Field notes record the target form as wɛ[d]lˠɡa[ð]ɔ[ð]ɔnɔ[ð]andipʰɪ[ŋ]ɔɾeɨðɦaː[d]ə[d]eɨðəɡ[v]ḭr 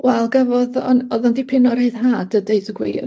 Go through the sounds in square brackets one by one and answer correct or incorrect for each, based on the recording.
incorrect, incorrect, correct, correct, incorrect, correct, correct, incorrect

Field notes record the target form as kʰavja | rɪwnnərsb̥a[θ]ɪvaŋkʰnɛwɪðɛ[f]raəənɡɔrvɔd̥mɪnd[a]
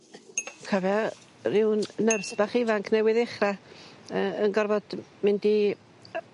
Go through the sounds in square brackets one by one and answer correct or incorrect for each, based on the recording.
incorrect, incorrect, incorrect

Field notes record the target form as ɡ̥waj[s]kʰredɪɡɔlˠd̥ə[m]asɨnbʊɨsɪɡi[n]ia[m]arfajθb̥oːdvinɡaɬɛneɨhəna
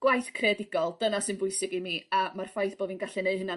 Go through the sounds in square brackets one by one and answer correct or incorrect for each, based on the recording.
incorrect, incorrect, incorrect, correct

